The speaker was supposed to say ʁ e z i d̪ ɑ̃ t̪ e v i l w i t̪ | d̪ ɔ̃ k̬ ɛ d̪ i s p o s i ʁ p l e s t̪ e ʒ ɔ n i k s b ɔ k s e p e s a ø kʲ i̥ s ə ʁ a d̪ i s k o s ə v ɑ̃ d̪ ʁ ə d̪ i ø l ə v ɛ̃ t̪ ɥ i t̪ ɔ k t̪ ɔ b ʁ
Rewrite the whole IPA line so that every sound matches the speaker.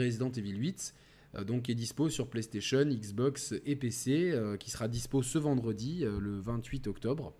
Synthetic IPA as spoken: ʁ e z i d̪ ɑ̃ t̪ e v i l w i t̪ | d̪ ɔ̃ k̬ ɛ d̪ i s p o s y ʁ p l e s t̪ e ʃ ɔ n i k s b ɔ k s e p e s e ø kʲ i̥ s ə ʁ a d̪ i s p o s ə v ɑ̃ d̪ ʁ ə d̪ i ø l ə v ɛ̃ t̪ ɥ i t̪ ɔ k t̪ ɔ b ʁ